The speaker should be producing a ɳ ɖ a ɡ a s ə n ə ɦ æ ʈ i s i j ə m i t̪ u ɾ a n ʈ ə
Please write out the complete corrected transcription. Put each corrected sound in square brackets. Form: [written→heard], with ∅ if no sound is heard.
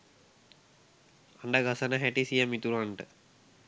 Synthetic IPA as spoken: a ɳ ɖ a ɡ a s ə n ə ɦ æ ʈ i s i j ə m i t̪ u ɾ a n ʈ ə